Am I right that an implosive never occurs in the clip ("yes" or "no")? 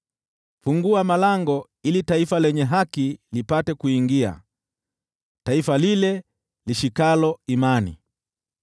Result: yes